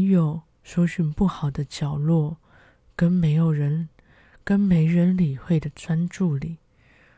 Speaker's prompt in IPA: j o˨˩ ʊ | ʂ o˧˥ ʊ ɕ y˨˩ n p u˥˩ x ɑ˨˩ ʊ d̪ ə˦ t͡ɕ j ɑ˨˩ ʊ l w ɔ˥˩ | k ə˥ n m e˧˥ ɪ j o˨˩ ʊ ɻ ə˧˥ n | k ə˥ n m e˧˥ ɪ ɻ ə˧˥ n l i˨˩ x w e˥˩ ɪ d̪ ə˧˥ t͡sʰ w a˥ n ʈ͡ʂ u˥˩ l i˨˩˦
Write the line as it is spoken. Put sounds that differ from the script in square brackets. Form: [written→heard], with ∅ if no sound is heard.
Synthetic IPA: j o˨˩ ʊ | ʂ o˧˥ ʊ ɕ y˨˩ n p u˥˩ x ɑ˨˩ ʊ d̪ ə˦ t͡ɕ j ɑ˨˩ ʊ l w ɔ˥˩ | k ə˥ n m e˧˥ ɪ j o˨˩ ʊ ɻ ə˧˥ n | k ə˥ n m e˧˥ ɪ ɻ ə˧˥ n l i˨˩ x w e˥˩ ɪ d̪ [ə˧˥→ə˩] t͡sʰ w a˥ n ʈ͡ʂ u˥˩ l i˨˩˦